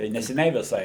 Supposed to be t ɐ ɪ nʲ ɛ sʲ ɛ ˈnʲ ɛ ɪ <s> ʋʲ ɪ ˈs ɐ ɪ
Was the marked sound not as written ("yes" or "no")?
yes